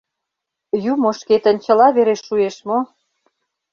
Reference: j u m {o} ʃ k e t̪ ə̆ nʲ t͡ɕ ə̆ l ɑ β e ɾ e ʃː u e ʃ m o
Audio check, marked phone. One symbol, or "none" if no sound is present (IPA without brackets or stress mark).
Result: o